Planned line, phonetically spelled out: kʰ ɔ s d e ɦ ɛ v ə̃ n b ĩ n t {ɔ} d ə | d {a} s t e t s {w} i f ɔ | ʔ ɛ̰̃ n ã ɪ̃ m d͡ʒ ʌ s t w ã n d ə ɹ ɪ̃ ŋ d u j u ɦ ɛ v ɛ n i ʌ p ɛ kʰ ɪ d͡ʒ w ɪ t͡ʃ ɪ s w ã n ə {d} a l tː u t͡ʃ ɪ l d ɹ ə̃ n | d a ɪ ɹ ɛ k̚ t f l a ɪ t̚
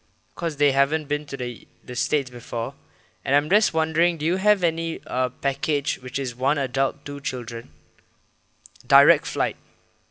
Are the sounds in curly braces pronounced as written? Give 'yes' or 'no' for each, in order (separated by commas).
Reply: no, no, no, yes